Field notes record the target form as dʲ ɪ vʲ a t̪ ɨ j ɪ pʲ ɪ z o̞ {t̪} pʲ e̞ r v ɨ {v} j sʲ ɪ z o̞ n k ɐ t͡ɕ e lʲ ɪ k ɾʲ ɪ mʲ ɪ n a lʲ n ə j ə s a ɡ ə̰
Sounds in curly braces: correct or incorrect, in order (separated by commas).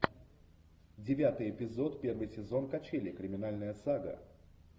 correct, incorrect